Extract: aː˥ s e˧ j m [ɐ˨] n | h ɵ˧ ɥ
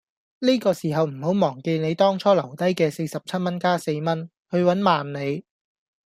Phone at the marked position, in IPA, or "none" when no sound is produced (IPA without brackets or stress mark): ɐ˥